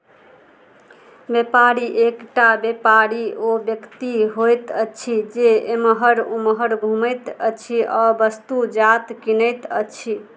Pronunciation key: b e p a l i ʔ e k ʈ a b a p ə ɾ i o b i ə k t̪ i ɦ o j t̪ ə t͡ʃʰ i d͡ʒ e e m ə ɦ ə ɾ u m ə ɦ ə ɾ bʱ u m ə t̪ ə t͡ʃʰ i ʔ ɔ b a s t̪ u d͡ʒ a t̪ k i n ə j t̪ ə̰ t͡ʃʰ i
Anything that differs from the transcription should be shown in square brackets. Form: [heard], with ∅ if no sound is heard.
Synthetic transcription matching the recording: b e p a [ɾ] i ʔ e k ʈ a b [e] p [a] ɾ i o b [j] ə k t̪ i ɦ o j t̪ ə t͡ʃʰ i d͡ʒ e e m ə ɦ ə ɾ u m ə ɦ ə ɾ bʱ u m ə t̪ ə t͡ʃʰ i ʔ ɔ b [ə] s t̪ u d͡ʒ a t̪ k i n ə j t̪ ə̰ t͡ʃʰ i